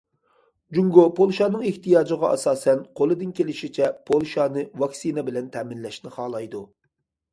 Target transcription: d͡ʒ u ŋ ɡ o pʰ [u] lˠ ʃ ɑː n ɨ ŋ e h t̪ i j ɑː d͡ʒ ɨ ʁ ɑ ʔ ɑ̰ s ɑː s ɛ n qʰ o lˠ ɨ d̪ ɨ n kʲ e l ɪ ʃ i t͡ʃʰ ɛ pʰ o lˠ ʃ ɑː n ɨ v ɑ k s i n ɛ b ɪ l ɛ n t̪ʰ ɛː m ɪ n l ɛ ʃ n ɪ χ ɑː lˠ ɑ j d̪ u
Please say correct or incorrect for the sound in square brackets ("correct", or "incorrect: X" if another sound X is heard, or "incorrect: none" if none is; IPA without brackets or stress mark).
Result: incorrect: o